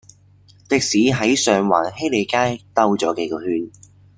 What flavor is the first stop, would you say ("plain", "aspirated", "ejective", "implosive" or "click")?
plain